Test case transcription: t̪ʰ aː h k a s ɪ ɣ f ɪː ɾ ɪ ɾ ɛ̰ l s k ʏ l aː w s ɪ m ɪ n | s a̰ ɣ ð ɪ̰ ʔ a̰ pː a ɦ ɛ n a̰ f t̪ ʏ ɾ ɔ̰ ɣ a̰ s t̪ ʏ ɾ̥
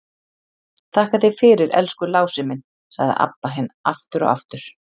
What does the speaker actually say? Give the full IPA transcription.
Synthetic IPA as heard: t̪ʰ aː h k a θ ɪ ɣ f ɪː ɾ ɪ ɾ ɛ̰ l s k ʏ l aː w s ɪ m ɪ n | s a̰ ɣ ð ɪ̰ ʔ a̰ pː a ɦ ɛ n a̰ f t̪ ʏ ɾ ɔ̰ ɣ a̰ f t̪ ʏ ɾ̥

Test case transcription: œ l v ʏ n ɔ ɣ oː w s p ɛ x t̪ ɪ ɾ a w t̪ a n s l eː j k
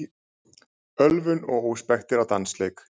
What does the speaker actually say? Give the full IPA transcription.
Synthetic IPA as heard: œ l v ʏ n ɔ ɣ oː w s p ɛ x t̪ ɪ ɾ a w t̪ a n s l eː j k

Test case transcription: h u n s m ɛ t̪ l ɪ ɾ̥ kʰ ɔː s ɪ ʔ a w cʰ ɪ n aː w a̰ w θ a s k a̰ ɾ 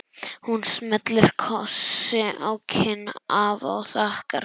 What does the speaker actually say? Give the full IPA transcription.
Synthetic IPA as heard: h u n s m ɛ t̪ l ɪ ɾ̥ kʰ ɔ s ɪ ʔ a w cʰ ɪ n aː v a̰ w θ a h k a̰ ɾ

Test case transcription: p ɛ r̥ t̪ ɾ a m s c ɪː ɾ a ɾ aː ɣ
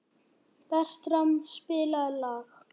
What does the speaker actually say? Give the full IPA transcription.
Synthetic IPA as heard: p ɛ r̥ t̪ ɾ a m s p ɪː l a l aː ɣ

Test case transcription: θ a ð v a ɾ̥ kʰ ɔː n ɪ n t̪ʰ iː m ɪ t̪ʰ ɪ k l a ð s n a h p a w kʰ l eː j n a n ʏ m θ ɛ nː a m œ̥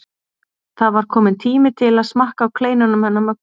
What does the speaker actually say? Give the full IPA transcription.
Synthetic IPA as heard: θ a ð v a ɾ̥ kʰ ɔː m ɪ n t̪ʰ iː m ɪ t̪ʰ ɪ l a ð s m a h k a w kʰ l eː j n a n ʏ m h ɛ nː a m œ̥

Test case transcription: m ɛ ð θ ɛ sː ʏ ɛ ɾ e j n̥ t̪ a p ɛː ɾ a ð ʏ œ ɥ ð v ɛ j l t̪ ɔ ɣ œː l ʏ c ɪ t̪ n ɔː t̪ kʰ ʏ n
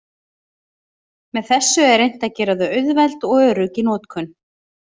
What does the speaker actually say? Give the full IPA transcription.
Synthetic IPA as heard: m ɛ ð θ ɛ sː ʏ ɛ ɾ e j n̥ t̪ a c ɛː ɾ a ð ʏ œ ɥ ð v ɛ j l t̪ ɔ ɣ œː ɾ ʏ c ɪ n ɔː t̪ kʰ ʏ n

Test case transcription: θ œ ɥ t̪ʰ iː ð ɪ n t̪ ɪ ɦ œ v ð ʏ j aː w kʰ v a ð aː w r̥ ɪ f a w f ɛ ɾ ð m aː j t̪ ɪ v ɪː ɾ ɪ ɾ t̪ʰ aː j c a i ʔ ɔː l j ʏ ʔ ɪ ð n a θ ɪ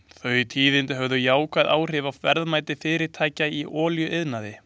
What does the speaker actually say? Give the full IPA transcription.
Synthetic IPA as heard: θ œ ɥ t̪ʰ iː ð ɪ n t̪ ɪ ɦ œ v ð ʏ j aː w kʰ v a ð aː w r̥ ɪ v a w f ɛ ɾ ð m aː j t̪ ɪ f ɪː ɾ ɪ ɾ t̪ʰ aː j c a i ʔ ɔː l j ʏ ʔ ɪ ð n a ð ɪ

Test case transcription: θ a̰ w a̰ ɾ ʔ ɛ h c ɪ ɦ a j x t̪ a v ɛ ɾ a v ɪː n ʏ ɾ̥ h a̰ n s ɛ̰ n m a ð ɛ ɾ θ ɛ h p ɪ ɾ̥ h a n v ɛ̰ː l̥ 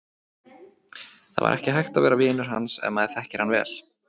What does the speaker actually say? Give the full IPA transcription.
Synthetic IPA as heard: θ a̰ v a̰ ɾ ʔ ɛ h c ɪ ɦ a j x t̪ a v ɛː ɾ a v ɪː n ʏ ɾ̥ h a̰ n s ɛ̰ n m a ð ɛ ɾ θ ɛ h c ɪ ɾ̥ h a n v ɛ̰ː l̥

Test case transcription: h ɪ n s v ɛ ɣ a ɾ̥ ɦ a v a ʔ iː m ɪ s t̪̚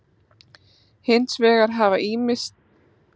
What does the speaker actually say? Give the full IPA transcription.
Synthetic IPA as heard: h ɪ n s v ɛː ɣ a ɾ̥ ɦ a v a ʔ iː m ɪ s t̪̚

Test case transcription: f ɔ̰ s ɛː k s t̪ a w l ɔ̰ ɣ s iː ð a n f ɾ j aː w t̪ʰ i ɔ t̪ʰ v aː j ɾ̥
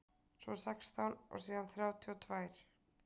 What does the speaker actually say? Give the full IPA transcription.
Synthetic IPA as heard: s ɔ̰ s ɛ k s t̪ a w l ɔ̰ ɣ s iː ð a n θ ɾ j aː w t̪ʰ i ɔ t̪ʰ v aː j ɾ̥

